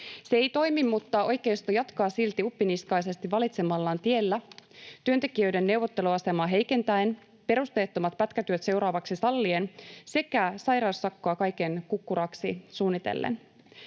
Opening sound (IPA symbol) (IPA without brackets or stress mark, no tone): s